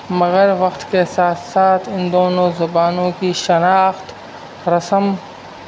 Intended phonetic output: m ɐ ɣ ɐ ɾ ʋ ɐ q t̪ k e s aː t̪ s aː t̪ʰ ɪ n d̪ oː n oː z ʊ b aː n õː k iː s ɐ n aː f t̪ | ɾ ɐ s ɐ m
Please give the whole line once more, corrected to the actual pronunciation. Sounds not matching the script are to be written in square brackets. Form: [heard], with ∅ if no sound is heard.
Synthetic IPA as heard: m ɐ ɣ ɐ ɾ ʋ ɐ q t̪ k e s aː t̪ s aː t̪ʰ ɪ n d̪ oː n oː z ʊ b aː n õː k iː [ʃ] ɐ n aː [x] t̪ | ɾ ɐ s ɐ m